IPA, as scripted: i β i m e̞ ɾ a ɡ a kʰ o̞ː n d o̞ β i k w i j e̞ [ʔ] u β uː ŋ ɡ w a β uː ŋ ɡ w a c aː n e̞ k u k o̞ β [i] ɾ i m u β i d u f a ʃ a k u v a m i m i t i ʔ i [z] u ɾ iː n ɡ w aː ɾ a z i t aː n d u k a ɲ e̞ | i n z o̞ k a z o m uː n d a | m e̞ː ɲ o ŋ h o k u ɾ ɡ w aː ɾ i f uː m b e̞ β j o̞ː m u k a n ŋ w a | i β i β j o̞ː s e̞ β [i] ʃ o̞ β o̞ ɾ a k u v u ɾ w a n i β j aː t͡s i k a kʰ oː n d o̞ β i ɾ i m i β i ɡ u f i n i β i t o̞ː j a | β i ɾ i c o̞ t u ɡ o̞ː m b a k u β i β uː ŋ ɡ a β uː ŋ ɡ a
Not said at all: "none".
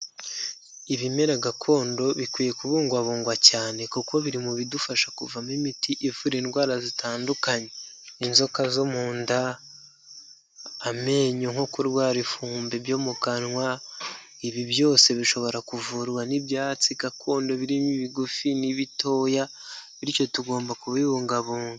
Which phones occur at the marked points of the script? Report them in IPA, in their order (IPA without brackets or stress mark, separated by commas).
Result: k, i, v, i